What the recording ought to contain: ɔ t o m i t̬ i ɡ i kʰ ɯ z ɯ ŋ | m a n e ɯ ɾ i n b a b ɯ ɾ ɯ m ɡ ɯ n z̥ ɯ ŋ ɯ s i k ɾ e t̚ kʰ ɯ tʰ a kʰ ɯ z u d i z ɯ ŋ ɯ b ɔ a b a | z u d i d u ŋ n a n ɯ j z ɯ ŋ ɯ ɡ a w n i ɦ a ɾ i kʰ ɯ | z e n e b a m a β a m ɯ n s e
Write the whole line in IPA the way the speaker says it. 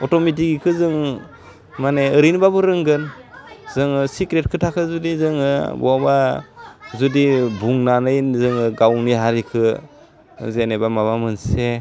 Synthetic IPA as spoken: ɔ t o m i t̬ i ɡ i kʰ ɯ z ɯ ŋ | m a n e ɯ ɾ i n b a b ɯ ɾ ɯ ŋ ɡ ɯ n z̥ ɯ ŋ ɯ s i k ɾ e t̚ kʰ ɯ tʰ a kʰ ɯ z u d i z ɯ ŋ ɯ b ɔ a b a | z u d i b u ŋ n a n ɯ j z ɯ ŋ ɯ ɡ a w n i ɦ a ɾ i kʰ ɯ | z e n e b a m a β a m ɯ n s e